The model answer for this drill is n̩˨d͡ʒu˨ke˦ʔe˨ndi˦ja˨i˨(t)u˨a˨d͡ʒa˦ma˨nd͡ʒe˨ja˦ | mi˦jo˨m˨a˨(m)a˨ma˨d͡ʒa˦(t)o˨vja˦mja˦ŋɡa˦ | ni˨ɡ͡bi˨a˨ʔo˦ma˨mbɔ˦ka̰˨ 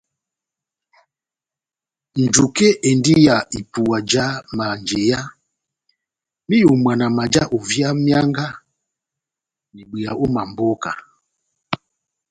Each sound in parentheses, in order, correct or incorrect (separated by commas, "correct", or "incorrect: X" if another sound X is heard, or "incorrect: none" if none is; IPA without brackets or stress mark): incorrect: p, incorrect: n, incorrect: ʔ